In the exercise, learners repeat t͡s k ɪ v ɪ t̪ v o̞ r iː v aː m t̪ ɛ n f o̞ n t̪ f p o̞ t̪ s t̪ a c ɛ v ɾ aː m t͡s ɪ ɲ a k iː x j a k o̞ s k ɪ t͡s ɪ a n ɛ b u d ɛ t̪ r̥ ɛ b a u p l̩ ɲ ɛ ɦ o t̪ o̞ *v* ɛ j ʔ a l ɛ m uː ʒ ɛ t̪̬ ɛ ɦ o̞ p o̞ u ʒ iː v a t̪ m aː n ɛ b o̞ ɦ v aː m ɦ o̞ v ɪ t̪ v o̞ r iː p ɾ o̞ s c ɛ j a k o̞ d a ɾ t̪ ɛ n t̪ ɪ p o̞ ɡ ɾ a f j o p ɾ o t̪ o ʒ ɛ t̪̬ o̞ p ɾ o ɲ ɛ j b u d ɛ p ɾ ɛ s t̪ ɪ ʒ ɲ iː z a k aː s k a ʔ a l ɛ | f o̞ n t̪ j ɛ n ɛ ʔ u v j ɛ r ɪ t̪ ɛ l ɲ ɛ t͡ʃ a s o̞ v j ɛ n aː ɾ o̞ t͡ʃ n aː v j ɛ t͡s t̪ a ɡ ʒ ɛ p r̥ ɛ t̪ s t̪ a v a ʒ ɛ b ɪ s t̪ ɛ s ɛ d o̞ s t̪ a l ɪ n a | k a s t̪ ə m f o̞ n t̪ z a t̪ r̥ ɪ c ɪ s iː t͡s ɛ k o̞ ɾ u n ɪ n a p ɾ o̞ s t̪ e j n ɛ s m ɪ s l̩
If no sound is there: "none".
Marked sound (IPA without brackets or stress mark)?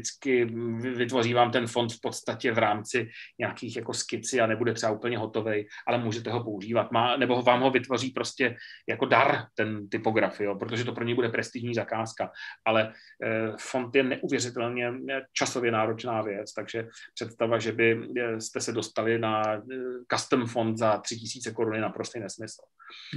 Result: v